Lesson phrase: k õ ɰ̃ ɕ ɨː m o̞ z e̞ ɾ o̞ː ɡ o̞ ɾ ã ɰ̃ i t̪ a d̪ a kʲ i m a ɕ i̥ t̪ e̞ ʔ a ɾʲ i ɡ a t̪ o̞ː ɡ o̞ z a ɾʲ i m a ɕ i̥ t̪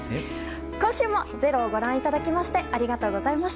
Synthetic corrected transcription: k õ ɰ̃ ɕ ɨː m o̞ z e̞ ɾ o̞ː ɡ o̞ ɾ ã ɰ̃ i t̪ a d̪ a kʲ i m a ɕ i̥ t̪ e̞ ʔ a ɾʲ i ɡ a t̪ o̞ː ɡ o̞ z a i m a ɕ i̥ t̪